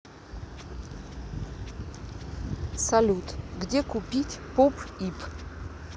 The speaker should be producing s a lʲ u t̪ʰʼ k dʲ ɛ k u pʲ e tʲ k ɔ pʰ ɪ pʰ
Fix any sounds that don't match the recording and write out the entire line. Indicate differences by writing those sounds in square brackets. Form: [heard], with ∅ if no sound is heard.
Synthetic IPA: s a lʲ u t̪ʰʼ [ɡ] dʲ ɛ k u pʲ [i] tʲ [p] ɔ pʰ [i] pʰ